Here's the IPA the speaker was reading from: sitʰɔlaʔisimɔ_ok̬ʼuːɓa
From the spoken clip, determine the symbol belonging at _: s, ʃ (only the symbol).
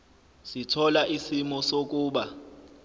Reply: s